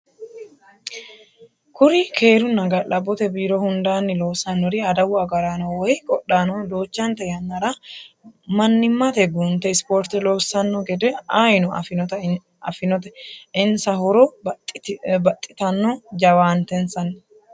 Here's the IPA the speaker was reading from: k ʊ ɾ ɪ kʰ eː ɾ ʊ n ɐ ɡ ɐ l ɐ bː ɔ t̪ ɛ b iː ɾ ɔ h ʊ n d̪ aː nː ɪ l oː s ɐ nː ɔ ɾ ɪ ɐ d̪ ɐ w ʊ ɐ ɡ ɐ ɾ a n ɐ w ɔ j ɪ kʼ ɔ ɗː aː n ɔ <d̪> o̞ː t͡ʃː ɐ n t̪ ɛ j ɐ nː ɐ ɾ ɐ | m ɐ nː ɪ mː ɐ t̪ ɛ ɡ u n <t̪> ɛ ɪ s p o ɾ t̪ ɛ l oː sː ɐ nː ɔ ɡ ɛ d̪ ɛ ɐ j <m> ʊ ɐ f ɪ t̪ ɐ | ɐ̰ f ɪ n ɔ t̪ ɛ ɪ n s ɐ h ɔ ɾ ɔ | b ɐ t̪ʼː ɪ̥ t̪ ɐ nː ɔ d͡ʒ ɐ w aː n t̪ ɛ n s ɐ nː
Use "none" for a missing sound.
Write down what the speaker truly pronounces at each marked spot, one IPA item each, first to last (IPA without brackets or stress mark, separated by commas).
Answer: d̪, t̪, n